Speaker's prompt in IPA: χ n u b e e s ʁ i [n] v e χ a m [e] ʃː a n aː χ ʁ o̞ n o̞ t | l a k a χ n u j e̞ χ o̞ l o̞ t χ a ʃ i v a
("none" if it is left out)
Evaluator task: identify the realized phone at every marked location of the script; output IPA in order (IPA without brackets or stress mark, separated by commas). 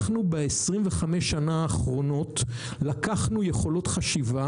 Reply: m, e